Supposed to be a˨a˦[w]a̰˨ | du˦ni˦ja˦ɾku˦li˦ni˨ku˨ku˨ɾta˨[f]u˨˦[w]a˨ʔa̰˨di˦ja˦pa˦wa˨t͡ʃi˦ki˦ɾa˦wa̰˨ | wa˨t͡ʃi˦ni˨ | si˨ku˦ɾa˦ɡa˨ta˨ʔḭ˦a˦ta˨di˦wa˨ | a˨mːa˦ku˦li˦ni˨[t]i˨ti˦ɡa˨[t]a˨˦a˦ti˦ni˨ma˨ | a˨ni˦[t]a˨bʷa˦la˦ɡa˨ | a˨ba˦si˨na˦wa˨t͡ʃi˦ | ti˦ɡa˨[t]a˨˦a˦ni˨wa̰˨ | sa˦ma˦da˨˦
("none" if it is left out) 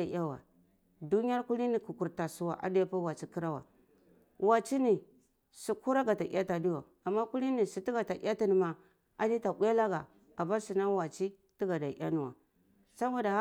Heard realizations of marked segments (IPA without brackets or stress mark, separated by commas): w, s, w, s, t, t, d